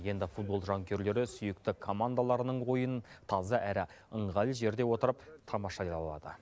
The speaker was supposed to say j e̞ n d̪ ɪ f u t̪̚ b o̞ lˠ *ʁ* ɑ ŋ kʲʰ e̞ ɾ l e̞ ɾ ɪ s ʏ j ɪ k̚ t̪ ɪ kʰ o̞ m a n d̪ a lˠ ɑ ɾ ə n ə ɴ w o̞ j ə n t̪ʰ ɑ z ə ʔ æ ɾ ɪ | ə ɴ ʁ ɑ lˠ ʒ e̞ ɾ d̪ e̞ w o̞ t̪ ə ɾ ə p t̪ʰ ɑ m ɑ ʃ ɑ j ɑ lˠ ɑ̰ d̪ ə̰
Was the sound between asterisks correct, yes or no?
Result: no